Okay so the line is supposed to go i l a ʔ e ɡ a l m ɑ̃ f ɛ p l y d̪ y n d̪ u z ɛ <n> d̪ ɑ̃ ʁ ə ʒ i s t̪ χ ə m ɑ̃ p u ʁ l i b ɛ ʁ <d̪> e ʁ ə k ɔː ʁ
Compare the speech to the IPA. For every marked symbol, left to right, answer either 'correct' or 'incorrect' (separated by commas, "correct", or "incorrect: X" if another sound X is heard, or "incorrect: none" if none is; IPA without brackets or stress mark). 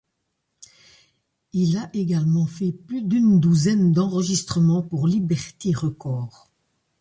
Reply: correct, incorrect: t̪